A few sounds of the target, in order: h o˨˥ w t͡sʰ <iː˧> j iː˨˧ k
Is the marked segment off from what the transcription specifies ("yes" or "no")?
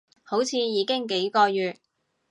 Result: no